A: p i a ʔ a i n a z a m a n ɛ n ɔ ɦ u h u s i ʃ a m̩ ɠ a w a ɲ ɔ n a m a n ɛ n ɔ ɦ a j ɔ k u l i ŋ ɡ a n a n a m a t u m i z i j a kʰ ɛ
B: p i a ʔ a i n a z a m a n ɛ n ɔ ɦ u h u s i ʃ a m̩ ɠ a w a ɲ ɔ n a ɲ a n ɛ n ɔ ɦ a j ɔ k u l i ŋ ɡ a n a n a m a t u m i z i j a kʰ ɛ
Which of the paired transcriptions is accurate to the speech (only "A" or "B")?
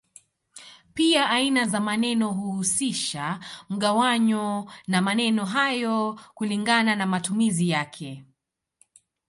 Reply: A